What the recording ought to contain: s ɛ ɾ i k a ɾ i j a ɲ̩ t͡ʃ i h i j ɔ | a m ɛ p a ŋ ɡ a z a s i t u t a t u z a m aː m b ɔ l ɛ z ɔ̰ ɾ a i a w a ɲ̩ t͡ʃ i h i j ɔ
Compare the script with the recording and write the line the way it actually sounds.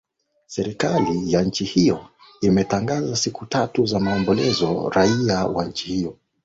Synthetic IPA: s ɛ ɾ i k a l i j a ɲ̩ t͡ʃ i h i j ɔ | i m ɛ t a ŋ ɡ a z a s i k u t a t u z a m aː m b ɔ l ɛ z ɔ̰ ɾ a i a w a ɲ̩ t͡ʃ i h i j ɔ